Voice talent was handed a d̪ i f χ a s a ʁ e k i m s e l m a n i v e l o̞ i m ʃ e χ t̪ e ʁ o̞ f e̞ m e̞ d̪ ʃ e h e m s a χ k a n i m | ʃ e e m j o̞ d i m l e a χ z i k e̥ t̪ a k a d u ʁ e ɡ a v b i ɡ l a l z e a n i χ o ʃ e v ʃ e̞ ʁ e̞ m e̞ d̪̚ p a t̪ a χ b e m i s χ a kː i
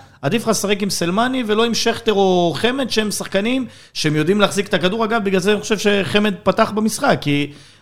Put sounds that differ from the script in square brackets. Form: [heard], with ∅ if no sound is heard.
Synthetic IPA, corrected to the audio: a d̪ i f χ a s a ʁ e k i m s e l m a n i v e l o̞ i m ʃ e χ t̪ e ʁ o̞ [χ] e̞ m e̞ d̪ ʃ e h e m s a χ k a n i m | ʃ e e m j o̞ d i m l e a χ z i k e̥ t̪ a k a d u ʁ [a] ɡ a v b i ɡ l a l z e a n i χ o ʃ e v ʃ e̞ [χ] e̞ m e̞ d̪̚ p a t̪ a χ b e m i s χ a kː i